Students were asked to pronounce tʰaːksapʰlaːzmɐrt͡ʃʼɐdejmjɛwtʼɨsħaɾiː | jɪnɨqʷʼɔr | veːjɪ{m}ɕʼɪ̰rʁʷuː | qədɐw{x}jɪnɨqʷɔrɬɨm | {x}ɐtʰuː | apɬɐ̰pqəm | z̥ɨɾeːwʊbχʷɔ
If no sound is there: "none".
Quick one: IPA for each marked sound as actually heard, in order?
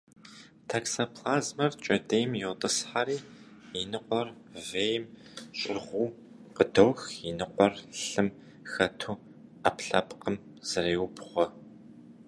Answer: m, x, x

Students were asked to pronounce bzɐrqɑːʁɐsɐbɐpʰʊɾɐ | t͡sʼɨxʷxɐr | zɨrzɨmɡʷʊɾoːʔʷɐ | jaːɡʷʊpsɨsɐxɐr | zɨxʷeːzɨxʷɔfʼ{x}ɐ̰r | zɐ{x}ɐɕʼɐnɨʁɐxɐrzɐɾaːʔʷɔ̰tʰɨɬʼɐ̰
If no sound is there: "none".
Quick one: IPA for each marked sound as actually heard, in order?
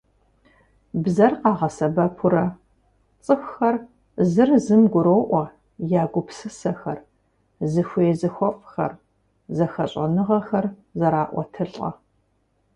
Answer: x, x

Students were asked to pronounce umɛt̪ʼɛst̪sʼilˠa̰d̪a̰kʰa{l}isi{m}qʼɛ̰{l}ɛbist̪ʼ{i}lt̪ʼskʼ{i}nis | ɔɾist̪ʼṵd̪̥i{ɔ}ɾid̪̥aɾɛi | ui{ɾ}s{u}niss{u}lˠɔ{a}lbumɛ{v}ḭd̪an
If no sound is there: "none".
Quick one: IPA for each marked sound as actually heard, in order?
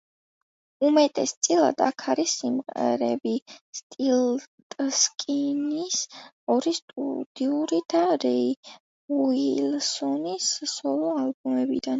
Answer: ɾ, m, ɾ, i, i, u, l, ɔ, ɔ, a, b

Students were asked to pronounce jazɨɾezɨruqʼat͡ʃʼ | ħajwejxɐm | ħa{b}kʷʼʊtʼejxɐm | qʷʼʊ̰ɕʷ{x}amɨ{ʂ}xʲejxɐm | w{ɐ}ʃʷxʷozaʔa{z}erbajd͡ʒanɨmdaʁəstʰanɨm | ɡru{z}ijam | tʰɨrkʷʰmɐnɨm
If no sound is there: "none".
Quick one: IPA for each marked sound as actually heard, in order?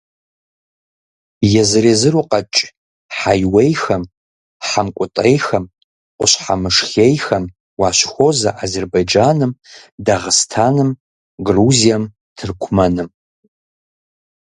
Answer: m, ħ, ʂ, a, z, z

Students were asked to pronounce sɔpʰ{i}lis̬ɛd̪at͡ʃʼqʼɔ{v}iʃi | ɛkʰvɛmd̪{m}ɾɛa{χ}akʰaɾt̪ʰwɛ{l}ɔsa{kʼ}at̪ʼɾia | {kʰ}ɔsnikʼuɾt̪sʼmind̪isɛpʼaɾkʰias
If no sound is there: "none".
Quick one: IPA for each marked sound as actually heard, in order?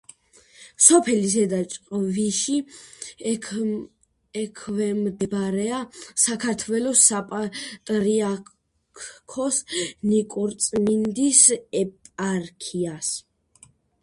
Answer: ɛ, v, b, s, l, pʼ, kʰ

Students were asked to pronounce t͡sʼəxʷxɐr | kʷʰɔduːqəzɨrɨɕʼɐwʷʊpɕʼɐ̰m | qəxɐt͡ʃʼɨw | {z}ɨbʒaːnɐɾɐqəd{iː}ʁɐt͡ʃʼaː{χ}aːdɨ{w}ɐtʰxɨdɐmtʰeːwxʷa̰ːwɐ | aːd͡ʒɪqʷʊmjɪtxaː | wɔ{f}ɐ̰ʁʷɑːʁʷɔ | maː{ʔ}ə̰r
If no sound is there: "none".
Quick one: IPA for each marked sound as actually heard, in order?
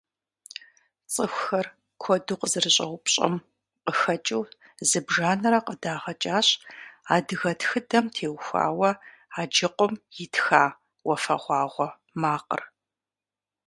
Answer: z, aː, ɕ, ɣ, f, q

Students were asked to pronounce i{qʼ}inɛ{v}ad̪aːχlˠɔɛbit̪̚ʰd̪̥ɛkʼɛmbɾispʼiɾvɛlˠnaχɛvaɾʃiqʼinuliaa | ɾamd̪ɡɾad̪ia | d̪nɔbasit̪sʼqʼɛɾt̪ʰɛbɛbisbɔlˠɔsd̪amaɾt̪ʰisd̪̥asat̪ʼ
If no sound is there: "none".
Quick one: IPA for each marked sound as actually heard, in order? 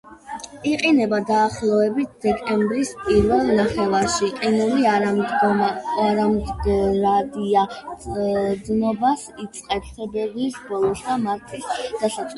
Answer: qʼ, b

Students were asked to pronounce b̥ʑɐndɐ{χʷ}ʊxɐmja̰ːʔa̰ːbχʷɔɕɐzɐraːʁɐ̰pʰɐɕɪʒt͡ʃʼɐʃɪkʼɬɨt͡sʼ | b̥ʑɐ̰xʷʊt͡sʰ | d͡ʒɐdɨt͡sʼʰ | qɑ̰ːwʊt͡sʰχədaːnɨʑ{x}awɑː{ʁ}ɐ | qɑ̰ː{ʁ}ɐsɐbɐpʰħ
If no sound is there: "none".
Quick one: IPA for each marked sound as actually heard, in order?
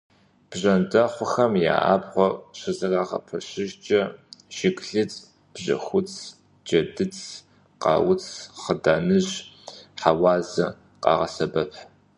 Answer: χʷ, ħ, z, ʁ

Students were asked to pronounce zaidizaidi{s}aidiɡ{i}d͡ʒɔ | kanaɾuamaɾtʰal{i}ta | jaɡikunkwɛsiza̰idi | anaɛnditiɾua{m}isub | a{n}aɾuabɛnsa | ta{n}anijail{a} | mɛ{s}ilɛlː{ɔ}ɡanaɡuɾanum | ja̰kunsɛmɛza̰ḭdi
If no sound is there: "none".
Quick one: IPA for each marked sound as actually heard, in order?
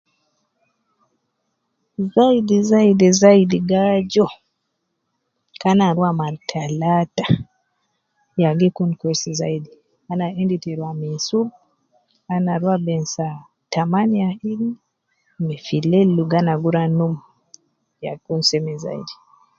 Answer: z, a, a, m, n, m, i, f, u

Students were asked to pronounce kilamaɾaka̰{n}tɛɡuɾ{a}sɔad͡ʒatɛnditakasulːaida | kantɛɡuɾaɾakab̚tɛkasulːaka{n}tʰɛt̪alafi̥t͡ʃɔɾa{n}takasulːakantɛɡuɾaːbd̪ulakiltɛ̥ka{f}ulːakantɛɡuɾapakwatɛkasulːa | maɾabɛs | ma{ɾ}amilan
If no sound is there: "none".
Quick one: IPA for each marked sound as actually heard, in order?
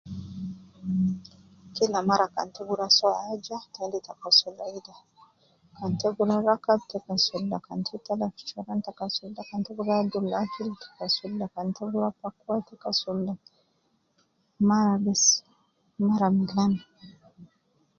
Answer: n, a, n, n, s, ɾ

